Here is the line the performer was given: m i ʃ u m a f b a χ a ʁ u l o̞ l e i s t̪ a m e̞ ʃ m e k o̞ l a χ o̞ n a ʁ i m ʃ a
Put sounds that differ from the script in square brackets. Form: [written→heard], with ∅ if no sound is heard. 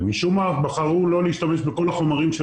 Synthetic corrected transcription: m i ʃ u m a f b a χ a ʁ u l o̞ l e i [s→ʃ] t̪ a m e̞ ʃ [m→b] e k o̞ l a χ o̞ [n→m] a ʁ i m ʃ [a→e]